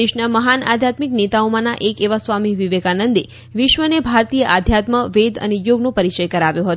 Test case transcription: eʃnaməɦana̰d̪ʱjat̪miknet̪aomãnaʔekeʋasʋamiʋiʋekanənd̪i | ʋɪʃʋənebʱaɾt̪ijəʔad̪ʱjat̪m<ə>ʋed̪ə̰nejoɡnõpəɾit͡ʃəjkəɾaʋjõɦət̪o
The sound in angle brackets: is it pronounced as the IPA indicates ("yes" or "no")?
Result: yes